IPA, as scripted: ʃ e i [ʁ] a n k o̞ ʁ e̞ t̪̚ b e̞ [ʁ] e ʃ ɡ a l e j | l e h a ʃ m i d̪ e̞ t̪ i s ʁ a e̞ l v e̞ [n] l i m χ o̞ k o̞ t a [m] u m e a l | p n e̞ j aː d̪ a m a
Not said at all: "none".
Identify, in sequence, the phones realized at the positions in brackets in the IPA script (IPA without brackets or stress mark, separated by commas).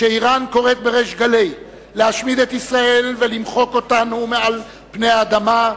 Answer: ʁ, ʁ, none, n